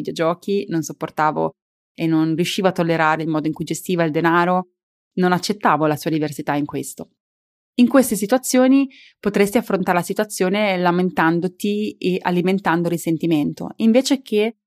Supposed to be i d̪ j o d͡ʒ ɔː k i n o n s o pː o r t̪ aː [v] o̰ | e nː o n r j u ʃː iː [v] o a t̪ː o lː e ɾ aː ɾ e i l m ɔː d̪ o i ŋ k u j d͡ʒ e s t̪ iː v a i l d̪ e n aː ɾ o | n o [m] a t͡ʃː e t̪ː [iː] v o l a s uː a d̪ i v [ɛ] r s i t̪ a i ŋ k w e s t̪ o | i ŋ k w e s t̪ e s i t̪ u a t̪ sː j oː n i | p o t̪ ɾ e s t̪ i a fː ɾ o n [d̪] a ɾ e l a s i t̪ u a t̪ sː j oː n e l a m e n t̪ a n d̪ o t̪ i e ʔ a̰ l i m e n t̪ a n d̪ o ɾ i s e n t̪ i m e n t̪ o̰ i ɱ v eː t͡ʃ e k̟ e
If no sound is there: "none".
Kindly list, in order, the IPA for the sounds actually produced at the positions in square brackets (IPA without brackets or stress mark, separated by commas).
v, v, n, aː, e, t̪